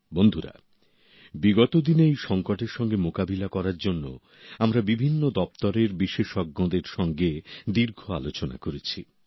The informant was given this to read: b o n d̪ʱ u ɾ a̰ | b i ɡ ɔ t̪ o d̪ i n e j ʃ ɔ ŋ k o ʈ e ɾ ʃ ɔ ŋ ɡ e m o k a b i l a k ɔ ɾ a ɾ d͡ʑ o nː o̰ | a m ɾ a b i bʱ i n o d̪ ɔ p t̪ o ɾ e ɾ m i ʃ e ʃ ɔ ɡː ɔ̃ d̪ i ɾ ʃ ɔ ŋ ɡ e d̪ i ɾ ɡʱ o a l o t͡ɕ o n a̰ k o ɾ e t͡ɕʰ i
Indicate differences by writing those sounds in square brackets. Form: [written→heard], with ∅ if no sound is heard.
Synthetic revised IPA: b o n d̪ʱ u ɾ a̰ | b i ɡ ɔ t̪ o d̪ i n e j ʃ ɔ ŋ k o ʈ e ɾ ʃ ɔ ŋ ɡ e m o k a b i l a k ɔ ɾ a ɾ d͡ʑ o nː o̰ | a m ɾ a b i bʱ i [n→nː] o d̪ ɔ p t̪ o ɾ e ɾ [m→b] i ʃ e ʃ ɔ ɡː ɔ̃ d̪ [i→e] ɾ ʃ ɔ ŋ ɡ e d̪ i ɾ ɡʱ o a l o t͡ɕ o n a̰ k o ɾ e t͡ɕʰ i